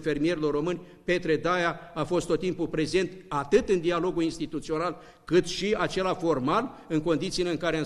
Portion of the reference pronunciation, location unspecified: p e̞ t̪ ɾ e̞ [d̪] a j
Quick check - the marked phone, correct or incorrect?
correct